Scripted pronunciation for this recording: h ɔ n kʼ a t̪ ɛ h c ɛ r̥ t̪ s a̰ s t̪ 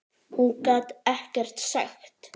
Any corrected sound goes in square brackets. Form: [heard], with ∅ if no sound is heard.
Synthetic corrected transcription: h [u] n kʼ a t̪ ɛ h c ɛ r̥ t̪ s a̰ [x] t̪

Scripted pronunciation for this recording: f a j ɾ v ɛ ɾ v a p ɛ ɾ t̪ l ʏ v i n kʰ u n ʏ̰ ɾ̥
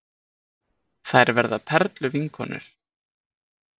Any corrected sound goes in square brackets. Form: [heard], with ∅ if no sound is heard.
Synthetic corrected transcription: [θ] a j ɾ v ɛ ɾ [ð] a [pʰ] ɛ ɾ t̪ l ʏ v i [ŋ] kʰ [ɔ] n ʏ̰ ɾ̥

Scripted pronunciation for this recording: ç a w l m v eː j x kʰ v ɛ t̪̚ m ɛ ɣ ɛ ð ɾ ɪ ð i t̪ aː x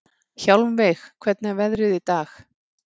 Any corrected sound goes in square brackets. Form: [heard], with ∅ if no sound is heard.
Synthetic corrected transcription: ç a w l m v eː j x kʰ v ɛ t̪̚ [n] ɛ [v] ɛ ð ɾ ɪ ð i t̪ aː x

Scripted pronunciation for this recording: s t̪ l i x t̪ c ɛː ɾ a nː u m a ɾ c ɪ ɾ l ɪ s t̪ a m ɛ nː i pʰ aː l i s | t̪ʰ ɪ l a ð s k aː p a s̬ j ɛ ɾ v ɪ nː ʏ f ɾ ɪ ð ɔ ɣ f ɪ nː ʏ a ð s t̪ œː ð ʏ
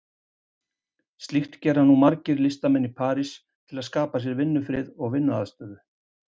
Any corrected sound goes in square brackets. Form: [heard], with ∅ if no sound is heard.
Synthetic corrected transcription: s t̪ l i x t̪ c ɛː ɾ a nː u m a ɾ c ɪ ɾ l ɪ s t̪ a m ɛ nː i pʰ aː [ɾ] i s | t̪ʰ ɪ l a ð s k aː p a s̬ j ɛ ɾ v ɪ nː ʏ f ɾ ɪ ð ɔ ɣ [v] ɪ nː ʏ a ð s t̪ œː ð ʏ

